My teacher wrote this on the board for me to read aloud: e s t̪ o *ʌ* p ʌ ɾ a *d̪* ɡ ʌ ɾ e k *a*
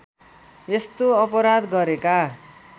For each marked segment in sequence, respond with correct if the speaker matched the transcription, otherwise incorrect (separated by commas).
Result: correct, correct, correct